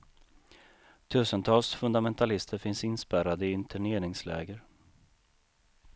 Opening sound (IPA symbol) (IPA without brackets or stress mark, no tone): t̪ʰ